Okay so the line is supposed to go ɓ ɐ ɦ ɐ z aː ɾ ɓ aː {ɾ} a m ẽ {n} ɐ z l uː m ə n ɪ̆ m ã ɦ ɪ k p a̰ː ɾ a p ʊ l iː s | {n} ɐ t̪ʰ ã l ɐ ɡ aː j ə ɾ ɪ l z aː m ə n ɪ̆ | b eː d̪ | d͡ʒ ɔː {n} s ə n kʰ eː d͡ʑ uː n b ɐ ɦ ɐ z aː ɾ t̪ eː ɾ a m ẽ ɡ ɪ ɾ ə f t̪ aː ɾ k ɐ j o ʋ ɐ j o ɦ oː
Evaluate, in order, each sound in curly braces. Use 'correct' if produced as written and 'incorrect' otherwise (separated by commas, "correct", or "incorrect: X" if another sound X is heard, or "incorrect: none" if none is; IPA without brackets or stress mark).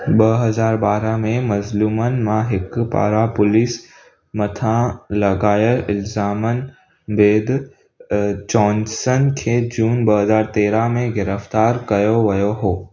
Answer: correct, incorrect: m, incorrect: m, correct